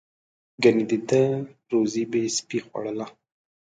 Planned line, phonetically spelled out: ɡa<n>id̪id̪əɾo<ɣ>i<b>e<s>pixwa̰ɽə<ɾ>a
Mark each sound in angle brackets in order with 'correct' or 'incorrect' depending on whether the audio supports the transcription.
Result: correct, incorrect: z, correct, correct, incorrect: l

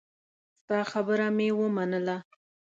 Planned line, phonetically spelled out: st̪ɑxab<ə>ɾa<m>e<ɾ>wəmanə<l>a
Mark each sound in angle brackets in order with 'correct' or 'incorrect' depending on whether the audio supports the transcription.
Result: correct, correct, incorrect: none, correct

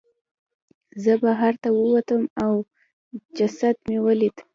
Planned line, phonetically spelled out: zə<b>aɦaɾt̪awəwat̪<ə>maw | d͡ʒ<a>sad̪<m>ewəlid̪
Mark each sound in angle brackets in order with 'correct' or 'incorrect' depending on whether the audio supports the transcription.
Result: correct, correct, correct, correct

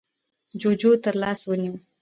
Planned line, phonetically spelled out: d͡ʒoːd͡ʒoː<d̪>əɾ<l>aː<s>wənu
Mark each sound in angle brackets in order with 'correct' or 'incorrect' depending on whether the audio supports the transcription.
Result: incorrect: t̪, correct, correct

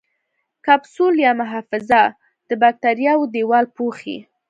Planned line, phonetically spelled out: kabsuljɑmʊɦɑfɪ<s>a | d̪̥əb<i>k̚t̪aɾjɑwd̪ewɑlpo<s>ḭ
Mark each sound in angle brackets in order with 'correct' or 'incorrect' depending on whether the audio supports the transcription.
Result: incorrect: z, incorrect: a, incorrect: x

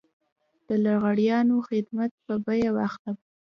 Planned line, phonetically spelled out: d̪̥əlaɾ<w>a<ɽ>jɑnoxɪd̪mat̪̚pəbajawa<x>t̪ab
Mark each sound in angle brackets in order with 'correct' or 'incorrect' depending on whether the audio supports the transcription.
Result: incorrect: ɣ, correct, correct

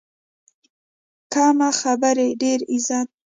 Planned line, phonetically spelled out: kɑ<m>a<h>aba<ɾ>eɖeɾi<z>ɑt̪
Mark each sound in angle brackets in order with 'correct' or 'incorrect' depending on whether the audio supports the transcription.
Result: correct, incorrect: x, correct, correct

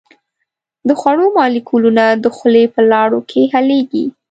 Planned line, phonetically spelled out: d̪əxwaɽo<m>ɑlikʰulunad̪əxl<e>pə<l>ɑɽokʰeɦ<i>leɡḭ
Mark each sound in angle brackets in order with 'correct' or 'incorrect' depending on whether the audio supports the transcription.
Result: correct, correct, correct, incorrect: a

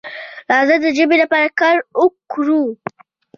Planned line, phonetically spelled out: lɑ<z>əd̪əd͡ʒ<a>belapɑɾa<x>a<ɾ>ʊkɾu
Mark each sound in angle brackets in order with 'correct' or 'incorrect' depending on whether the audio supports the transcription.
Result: correct, incorrect: ə, incorrect: k, correct

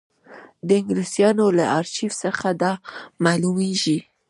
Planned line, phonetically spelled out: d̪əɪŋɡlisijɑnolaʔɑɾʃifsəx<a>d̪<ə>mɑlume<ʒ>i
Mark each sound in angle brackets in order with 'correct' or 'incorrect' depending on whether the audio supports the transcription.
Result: correct, incorrect: ɑ, correct

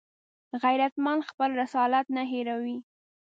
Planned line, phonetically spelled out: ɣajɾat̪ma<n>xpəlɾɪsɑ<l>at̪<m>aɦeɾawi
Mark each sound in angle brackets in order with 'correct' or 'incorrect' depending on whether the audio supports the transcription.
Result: correct, correct, incorrect: n

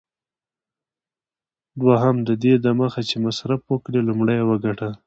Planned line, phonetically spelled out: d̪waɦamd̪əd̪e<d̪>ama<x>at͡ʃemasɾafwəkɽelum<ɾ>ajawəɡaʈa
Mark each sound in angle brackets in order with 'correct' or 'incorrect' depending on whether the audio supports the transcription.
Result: correct, correct, incorrect: ɽ

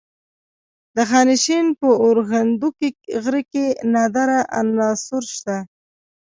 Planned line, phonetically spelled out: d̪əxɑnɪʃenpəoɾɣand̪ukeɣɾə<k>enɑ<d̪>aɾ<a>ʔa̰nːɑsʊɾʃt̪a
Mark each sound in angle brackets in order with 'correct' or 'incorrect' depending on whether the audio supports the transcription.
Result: correct, correct, correct

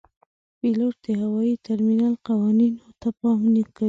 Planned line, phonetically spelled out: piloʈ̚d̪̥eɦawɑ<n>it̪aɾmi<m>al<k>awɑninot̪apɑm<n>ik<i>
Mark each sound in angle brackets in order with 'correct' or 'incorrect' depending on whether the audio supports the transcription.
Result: incorrect: none, incorrect: n, incorrect: q, correct, incorrect: a

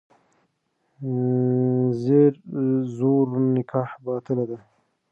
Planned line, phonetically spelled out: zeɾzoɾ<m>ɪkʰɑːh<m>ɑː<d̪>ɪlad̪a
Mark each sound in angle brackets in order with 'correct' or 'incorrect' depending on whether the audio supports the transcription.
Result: incorrect: n, incorrect: b, incorrect: t̪

